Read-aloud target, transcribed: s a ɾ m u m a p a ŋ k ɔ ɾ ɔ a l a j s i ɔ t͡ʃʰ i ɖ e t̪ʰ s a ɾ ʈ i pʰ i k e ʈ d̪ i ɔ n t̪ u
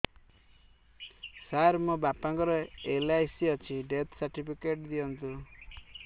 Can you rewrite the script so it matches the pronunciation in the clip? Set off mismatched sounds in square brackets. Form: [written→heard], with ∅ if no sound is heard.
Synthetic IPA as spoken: s a ɾ m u [m→b] a p a ŋ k ɔ ɾ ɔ [a→e] l a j s i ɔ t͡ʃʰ i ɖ e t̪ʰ s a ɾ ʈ i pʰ i k e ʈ d̪ i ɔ n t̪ u